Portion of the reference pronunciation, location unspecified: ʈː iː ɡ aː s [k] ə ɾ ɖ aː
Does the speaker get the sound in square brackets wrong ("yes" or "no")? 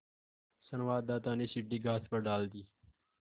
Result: yes